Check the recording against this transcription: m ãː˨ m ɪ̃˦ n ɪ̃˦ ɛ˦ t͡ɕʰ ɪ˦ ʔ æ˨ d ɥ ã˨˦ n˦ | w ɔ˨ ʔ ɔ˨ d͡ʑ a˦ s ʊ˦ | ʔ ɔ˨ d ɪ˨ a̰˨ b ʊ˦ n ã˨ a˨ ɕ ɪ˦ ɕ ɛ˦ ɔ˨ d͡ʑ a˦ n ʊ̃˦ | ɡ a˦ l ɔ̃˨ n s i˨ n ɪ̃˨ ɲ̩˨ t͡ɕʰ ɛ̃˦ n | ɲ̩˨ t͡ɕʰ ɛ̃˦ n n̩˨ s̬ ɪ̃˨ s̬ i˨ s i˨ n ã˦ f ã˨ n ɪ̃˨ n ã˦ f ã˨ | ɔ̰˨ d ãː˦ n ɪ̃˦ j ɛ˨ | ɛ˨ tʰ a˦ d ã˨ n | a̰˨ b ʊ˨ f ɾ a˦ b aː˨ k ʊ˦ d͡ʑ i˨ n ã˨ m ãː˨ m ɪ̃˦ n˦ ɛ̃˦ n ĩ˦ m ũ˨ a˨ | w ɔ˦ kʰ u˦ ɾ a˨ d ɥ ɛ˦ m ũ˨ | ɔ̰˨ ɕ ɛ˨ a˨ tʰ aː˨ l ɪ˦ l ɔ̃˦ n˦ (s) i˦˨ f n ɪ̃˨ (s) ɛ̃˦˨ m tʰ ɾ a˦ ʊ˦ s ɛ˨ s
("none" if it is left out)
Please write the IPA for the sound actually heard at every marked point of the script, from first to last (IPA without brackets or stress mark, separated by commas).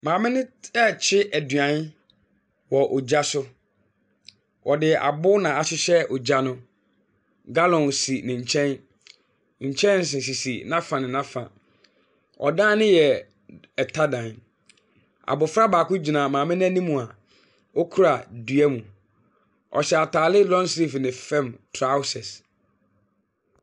s, f